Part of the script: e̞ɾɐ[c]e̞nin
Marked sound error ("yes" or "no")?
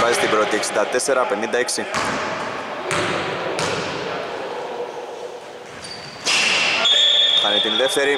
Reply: yes